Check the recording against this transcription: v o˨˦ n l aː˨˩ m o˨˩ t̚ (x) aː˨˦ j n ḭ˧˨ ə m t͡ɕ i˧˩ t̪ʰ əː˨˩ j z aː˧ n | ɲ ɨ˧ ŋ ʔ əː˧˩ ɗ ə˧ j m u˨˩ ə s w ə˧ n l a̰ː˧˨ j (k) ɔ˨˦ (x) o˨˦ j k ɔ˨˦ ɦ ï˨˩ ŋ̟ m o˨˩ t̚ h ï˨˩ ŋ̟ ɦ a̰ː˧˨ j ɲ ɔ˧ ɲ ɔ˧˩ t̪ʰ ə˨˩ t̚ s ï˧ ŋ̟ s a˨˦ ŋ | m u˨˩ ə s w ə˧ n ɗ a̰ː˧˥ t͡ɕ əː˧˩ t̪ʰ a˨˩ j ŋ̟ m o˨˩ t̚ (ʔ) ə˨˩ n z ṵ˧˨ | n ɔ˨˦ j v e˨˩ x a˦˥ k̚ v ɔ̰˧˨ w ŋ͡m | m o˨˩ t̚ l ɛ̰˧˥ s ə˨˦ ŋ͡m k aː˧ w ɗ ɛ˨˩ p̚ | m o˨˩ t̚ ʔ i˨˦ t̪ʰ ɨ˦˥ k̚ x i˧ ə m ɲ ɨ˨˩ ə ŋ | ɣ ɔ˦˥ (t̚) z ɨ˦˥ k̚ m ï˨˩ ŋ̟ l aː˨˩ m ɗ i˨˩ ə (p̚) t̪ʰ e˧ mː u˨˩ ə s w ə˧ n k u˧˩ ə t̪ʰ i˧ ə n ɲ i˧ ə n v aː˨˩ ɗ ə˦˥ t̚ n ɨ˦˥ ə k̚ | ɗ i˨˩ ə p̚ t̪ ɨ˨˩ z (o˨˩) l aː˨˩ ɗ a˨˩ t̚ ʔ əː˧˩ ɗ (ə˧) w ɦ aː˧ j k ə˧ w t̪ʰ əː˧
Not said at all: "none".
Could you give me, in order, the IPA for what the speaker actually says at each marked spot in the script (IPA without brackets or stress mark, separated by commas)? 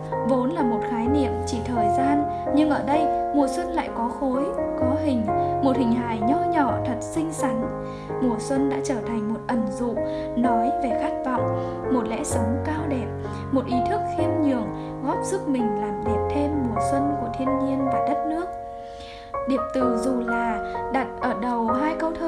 x, k, x, ʔ, p̚, p̚, u˨˩, ə˨˩